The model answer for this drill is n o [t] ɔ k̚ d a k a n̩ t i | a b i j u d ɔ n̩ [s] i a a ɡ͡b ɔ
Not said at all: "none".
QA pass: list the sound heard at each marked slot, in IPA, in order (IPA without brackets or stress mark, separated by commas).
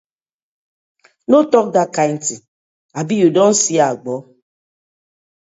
t, s